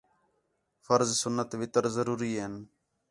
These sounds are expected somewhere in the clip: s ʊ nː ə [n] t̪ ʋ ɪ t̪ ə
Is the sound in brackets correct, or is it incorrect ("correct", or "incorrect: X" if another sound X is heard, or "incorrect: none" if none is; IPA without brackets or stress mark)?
incorrect: none